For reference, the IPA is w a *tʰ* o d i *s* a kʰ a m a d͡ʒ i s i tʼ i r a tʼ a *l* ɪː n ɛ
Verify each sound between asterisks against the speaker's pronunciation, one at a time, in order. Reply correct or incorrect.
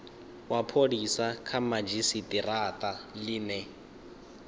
incorrect: pʰ, correct, correct

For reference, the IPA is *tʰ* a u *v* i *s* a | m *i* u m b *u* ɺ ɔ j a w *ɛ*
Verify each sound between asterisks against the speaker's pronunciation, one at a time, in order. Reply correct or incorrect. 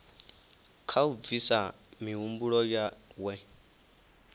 incorrect: kʰ, correct, correct, correct, correct, correct

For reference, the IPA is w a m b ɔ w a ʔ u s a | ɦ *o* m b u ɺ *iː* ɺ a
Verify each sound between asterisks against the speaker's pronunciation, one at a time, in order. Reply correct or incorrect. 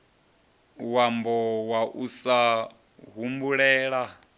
incorrect: u, incorrect: ɛː

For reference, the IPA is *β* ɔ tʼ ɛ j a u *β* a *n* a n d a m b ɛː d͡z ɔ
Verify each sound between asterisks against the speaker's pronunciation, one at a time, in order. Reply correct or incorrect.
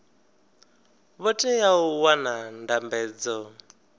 correct, incorrect: w, correct

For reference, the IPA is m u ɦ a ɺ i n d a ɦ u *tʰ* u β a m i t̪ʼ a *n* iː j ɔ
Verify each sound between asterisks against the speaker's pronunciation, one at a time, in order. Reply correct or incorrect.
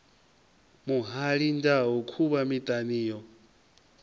incorrect: kʰ, correct

